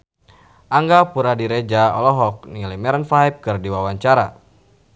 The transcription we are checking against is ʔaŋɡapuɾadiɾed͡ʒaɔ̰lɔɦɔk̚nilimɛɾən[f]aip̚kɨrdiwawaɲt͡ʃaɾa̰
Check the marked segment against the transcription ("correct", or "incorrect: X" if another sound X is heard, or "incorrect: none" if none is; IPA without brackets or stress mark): correct